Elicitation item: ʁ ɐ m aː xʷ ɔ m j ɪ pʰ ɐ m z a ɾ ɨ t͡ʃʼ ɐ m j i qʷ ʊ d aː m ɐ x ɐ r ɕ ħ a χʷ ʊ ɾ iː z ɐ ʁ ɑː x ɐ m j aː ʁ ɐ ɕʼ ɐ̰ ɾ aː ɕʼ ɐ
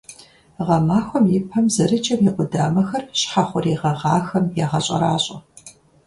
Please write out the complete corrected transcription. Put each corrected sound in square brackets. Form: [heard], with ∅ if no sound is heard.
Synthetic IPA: ʁ ɐ m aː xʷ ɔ m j ɪ pʰ ɐ m z [ɐ] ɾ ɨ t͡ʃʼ ɐ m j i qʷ ʊ d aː m ɐ x ɐ r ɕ ħ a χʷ ʊ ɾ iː [ʁ] ɐ ʁ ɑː x ɐ m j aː ʁ ɐ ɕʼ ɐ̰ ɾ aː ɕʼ ɐ